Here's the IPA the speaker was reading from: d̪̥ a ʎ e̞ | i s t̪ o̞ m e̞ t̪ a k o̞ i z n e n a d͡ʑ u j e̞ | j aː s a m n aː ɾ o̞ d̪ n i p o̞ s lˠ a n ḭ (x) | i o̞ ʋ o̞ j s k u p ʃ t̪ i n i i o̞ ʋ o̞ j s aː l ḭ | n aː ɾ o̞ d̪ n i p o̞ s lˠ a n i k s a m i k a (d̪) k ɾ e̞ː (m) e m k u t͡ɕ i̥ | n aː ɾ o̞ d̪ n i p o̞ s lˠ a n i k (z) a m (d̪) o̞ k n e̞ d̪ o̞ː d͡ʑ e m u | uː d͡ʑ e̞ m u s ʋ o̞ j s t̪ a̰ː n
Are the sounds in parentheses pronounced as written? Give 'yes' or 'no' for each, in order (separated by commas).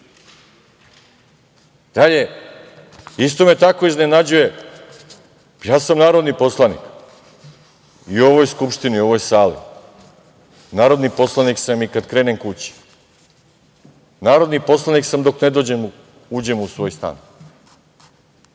no, yes, no, no, yes